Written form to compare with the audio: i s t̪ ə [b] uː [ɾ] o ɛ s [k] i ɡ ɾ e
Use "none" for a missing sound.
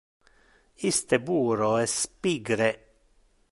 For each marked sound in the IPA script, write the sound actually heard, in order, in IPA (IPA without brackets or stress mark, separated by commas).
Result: b, ɾ, p